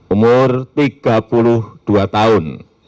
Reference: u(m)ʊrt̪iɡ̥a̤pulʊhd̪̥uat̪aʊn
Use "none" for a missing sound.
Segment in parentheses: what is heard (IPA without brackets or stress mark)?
m